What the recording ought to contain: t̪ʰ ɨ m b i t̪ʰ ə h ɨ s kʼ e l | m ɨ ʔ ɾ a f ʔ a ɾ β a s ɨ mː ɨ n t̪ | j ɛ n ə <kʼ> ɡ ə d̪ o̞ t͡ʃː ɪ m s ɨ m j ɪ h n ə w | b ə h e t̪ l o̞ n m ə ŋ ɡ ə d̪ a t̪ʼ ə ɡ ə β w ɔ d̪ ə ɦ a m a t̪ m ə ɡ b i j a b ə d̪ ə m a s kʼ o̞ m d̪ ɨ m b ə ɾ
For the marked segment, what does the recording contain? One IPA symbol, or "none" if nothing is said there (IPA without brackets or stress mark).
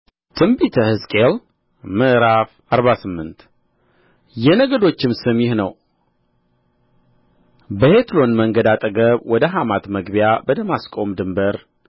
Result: none